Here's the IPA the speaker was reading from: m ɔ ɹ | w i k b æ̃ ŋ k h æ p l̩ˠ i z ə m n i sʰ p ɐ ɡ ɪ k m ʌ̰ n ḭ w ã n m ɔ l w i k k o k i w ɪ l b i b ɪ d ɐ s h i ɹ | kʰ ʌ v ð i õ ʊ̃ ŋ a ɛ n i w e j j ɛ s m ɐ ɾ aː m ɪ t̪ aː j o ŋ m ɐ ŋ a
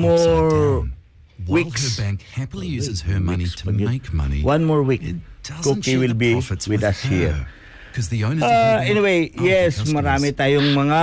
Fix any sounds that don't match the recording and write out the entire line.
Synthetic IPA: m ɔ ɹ | w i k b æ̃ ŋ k h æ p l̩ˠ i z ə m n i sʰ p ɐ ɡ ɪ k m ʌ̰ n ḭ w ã n m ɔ ɹ w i k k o k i w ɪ l b i w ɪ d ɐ s h i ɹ | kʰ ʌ z ð i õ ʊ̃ n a ɛ n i w e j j ɛ s m ɐ ɾ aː m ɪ t̪ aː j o ŋ m ɐ ŋ a